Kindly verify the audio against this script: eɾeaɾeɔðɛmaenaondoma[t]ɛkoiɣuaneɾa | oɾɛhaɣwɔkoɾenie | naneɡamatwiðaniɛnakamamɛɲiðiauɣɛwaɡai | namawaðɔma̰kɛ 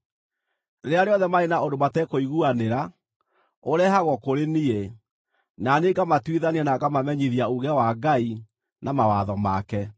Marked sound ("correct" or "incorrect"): correct